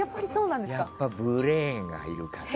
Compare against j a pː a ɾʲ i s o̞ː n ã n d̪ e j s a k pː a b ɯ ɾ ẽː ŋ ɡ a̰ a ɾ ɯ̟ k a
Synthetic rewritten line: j a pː a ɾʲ i s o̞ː n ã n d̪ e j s a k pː a b ɯ ɾ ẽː ŋ ɡ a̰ i ɾ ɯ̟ k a